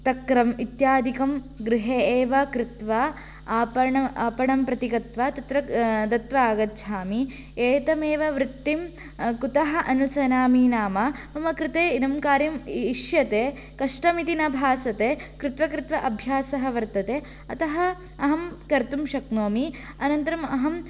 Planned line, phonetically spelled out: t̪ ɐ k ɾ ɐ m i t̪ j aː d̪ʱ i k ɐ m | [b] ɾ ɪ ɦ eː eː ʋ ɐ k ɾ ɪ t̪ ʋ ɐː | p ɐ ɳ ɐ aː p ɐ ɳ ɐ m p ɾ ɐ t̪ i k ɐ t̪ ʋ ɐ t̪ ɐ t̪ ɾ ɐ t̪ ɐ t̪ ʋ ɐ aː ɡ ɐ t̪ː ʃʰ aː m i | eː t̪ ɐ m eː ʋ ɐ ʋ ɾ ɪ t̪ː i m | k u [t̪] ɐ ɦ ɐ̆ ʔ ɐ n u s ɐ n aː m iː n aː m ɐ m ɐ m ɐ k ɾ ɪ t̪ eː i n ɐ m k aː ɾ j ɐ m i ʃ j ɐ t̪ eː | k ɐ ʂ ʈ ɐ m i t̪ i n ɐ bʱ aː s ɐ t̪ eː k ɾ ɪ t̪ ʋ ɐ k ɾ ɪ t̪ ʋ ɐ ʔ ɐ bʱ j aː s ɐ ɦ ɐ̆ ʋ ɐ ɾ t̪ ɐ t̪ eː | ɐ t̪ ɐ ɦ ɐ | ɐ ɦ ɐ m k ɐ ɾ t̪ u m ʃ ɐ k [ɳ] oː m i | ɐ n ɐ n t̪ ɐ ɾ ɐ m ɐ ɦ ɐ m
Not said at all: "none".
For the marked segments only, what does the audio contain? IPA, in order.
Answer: ɡ, t̪, n

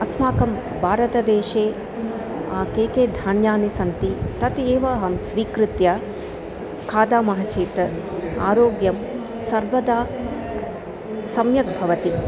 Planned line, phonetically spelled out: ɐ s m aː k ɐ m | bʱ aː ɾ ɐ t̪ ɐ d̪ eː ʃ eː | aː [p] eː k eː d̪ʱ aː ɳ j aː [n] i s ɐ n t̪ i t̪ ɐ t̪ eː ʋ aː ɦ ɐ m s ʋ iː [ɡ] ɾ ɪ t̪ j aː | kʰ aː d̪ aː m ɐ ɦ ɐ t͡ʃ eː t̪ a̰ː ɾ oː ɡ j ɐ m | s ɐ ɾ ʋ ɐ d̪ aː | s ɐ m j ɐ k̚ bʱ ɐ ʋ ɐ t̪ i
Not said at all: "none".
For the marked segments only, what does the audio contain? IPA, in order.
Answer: k, n, k

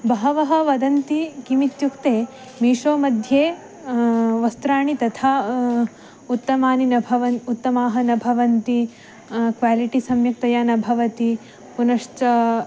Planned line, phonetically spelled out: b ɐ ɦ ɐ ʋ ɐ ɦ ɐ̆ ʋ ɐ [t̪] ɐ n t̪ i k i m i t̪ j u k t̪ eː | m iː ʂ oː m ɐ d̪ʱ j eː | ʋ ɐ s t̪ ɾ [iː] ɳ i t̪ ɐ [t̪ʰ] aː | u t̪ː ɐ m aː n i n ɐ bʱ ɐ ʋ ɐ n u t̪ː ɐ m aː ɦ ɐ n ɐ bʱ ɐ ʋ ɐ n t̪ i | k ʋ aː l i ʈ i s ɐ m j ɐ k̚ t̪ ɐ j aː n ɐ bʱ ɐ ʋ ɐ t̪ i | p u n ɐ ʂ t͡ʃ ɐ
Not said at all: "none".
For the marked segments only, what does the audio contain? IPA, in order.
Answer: d̪, aː, t̪ʰ

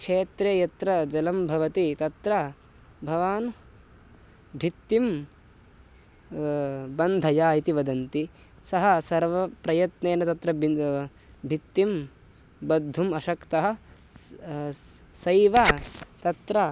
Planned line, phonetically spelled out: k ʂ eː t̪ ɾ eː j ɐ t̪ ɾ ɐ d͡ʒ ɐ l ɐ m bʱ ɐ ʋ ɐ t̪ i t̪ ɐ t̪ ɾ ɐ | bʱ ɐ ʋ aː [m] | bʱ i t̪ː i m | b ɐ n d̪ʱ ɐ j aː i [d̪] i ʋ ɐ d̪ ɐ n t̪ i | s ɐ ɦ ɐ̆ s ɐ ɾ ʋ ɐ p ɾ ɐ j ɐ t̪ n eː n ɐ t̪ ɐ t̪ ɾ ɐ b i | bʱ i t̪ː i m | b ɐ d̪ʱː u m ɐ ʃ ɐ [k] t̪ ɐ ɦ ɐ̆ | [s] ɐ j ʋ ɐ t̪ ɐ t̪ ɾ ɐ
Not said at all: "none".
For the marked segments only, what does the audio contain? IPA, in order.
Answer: n, t̪, k, s

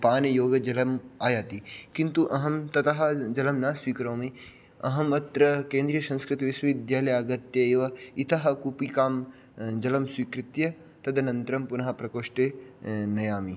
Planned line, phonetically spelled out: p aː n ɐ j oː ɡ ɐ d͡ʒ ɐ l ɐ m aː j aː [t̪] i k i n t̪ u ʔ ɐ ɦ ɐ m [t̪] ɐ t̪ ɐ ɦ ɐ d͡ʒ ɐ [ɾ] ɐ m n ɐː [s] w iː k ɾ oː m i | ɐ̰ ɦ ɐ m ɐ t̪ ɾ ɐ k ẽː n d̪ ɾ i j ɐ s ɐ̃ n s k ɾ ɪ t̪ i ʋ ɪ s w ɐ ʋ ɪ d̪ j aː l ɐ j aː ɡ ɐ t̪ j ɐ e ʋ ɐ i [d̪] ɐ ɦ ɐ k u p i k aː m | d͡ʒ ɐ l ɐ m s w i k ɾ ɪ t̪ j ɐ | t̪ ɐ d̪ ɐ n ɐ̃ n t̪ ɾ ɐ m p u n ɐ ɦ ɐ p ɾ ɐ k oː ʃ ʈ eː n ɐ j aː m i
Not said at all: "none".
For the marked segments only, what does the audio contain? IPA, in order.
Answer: t̪, t̪, l, s, t̪

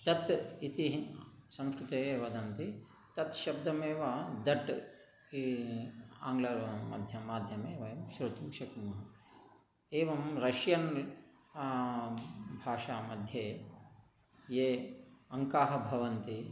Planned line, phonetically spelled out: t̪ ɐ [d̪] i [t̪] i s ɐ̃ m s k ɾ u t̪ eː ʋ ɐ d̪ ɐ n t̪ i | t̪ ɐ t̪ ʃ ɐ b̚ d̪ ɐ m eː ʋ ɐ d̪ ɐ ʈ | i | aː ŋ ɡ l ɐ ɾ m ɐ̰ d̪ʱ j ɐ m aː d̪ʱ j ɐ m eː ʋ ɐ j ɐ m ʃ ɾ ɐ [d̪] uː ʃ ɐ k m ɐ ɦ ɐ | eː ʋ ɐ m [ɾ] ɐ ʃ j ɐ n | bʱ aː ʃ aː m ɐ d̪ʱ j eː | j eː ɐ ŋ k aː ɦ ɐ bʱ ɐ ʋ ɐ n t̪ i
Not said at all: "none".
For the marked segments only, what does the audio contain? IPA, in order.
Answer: t̪, t̪, t̪, ɾ

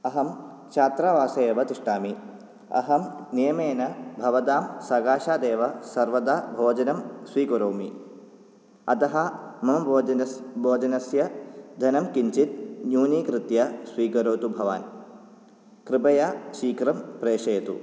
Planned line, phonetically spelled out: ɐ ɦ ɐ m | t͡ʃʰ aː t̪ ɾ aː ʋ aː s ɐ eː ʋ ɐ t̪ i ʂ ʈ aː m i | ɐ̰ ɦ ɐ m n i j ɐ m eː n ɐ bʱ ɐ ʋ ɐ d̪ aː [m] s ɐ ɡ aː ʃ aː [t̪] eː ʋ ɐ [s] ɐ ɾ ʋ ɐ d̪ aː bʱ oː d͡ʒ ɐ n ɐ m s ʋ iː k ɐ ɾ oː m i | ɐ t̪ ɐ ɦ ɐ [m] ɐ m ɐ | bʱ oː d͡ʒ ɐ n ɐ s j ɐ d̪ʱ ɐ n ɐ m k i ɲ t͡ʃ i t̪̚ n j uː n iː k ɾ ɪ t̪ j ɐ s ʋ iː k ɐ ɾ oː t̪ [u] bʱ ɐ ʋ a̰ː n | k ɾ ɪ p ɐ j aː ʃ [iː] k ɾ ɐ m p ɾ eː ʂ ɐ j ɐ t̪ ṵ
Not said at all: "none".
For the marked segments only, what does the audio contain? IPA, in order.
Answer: m, d̪, s, m, u, iː

